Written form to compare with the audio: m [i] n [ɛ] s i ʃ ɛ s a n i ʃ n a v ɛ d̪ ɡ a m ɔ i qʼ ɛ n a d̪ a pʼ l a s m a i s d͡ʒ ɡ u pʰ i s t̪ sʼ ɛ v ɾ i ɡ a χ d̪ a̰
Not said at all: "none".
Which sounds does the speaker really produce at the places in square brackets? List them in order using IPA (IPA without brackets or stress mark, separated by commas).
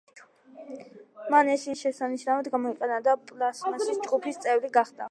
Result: a, ɛ